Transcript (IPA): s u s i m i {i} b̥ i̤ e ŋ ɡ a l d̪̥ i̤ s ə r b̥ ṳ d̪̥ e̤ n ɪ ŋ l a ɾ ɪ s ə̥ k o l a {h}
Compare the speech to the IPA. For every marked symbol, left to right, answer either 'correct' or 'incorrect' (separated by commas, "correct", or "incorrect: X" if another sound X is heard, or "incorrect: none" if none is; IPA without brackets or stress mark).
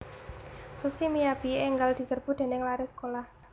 incorrect: a, correct